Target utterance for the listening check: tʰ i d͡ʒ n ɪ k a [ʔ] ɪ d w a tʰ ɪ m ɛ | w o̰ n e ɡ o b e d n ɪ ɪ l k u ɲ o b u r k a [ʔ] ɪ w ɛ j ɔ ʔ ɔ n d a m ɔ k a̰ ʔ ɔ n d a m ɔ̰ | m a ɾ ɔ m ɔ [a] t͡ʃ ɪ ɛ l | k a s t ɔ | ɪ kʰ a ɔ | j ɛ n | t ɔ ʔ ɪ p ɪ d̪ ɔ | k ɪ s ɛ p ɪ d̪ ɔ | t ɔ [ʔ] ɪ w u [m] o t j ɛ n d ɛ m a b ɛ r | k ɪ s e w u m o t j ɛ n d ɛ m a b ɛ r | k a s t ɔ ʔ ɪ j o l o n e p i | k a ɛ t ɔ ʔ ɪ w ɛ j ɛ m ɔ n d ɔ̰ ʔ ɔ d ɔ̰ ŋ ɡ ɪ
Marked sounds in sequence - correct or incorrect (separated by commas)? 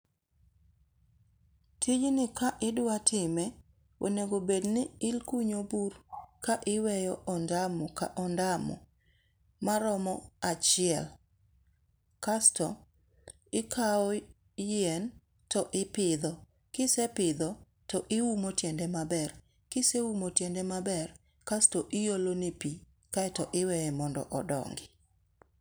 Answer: correct, correct, correct, correct, correct